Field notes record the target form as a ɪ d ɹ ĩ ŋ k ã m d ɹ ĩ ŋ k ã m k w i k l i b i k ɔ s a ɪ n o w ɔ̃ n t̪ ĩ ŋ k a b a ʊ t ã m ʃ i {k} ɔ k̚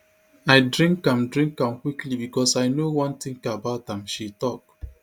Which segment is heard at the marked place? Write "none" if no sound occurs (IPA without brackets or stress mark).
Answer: t